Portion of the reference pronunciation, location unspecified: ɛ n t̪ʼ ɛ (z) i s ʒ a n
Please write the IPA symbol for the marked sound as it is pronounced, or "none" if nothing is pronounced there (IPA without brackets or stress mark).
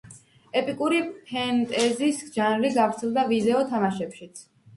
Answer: z